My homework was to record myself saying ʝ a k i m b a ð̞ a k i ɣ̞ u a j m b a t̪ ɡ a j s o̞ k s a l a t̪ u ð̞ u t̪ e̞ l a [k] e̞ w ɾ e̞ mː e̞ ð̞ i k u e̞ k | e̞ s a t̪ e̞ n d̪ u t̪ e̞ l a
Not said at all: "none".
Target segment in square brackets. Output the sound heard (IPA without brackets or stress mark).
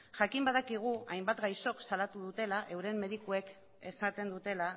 ʔ